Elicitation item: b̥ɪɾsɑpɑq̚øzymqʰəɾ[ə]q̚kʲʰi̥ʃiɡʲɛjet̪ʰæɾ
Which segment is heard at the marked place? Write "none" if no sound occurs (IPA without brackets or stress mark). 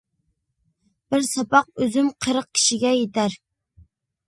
ə